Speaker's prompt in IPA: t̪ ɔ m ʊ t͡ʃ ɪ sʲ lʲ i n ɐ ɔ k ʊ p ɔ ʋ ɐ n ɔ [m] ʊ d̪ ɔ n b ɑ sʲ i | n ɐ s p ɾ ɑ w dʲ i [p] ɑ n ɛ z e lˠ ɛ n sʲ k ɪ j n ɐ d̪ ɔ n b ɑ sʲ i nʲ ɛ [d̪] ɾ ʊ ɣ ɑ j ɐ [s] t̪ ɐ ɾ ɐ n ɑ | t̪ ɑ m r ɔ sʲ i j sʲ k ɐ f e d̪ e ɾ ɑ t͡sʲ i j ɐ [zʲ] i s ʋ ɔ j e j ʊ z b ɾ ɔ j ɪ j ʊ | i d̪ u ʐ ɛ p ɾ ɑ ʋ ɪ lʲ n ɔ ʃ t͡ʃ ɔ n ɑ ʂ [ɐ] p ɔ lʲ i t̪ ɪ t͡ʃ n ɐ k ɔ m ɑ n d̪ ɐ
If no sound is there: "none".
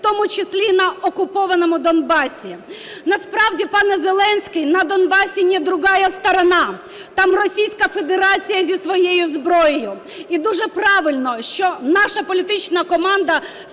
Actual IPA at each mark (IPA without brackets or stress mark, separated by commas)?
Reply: m, p, d̪, s, zʲ, ɐ